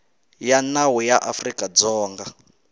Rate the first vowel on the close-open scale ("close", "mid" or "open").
open